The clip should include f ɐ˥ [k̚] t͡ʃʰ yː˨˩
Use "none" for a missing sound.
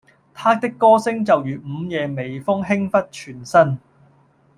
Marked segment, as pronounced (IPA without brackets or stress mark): t̚